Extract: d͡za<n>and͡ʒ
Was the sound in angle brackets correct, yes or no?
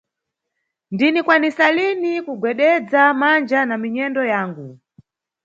no